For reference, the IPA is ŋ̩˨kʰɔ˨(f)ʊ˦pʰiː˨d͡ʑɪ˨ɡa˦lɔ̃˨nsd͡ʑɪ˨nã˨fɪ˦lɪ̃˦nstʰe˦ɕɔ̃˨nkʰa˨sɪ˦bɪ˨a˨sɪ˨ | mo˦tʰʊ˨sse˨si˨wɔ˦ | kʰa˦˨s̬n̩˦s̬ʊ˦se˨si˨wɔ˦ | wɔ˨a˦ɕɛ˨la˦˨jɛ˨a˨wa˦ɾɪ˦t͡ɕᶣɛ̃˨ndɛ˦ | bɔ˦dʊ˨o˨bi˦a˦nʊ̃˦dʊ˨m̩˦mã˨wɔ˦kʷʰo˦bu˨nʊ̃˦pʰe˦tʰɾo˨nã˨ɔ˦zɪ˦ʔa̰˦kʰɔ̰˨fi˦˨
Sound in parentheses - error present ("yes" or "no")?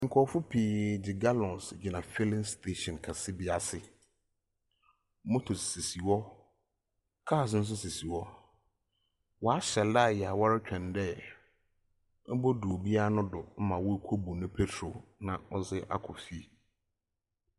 no